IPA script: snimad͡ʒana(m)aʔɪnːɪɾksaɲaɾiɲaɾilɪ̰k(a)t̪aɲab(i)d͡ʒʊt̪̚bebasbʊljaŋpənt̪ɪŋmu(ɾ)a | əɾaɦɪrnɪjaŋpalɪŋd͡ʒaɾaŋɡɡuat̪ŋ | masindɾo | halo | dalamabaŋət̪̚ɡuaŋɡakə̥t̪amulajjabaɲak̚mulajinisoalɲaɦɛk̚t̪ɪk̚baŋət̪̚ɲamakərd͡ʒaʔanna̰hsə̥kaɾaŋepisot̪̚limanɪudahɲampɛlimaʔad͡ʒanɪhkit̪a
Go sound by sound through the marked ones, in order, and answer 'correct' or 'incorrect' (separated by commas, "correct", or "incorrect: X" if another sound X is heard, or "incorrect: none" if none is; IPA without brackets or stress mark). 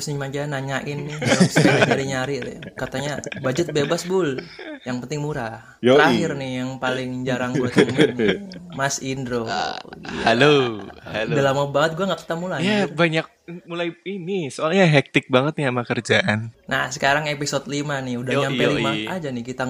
incorrect: ɲ, correct, incorrect: a, correct